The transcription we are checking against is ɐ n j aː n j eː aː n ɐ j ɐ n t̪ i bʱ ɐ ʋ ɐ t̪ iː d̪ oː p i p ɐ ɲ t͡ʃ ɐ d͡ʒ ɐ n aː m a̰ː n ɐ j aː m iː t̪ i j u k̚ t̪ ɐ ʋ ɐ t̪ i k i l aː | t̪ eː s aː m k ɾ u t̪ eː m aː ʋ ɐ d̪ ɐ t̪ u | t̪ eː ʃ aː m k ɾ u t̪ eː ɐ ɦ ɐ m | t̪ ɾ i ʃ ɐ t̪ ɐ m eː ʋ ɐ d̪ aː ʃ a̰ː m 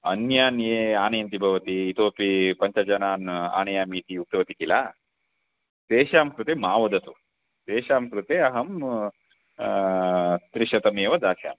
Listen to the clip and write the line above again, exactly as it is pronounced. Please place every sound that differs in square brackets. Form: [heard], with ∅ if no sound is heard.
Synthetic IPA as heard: ɐ n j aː n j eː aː n ɐ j ɐ n t̪ i bʱ ɐ ʋ ɐ t̪ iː [t̪] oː p i p ɐ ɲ t͡ʃ ɐ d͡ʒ ɐ n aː [n] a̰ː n ɐ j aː m iː t̪ i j u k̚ t̪ ɐ ʋ ɐ t̪ i k i l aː | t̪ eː [ʃ] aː m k ɾ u t̪ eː m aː ʋ ɐ d̪ ɐ t̪ u | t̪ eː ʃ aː m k ɾ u t̪ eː ɐ ɦ ɐ m | t̪ ɾ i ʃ ɐ t̪ ɐ m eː ʋ ɐ d̪ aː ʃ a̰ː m